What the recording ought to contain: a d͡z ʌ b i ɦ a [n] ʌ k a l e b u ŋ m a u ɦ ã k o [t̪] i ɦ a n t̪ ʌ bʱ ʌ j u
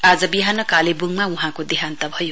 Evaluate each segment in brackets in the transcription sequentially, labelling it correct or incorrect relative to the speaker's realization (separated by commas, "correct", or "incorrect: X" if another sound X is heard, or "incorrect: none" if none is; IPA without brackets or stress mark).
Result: correct, incorrect: d̪